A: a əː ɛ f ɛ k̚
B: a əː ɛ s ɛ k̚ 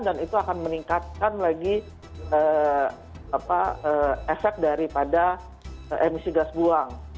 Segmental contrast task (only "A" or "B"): A